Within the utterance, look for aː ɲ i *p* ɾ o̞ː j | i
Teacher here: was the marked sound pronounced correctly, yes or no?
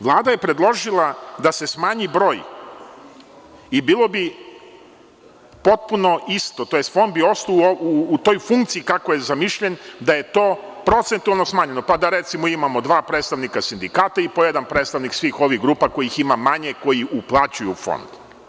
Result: no